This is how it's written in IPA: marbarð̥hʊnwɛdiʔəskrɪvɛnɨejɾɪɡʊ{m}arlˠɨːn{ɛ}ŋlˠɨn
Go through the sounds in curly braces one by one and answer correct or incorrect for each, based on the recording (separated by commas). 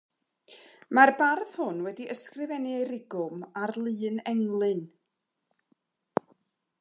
correct, correct